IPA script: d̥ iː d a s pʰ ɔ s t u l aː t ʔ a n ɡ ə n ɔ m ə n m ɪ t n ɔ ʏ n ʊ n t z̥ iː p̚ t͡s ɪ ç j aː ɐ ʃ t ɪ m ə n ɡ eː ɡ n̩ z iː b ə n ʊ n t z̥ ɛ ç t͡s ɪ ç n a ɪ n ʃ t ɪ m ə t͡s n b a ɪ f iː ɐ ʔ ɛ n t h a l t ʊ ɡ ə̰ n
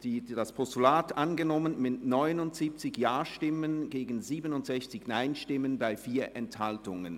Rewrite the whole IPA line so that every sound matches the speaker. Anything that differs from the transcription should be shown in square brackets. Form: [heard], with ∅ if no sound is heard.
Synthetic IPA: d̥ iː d a s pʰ ɔ s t u l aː t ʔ a n ɡ ə n ɔ m ə n m ɪ t n ɔ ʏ n ʊ n t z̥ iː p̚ t͡s ɪ ç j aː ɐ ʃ t ɪ m ə n ɡ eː ɡ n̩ z iː b ə n ʊ n t z̥ ɛ ç t͡s ɪ ç n a ɪ n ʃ t ɪ m ə [∅] n b a ɪ f iː ɐ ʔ ɛ n t h a l t ʊ [ŋ] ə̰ n